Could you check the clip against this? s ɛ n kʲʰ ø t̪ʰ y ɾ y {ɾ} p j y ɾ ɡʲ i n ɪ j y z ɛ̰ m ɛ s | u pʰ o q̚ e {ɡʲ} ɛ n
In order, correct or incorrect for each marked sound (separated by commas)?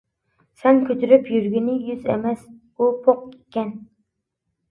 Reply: incorrect, incorrect